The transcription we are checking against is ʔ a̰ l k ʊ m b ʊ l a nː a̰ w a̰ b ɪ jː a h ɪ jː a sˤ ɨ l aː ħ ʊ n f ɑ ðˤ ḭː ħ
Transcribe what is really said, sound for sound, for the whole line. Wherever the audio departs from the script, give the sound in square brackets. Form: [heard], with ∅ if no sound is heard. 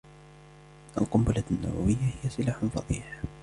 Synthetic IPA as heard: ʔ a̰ l [q] ʊ m b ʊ l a nː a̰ w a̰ [w] ɪ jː a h ɪ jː a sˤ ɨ l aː ħ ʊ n f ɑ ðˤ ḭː ħ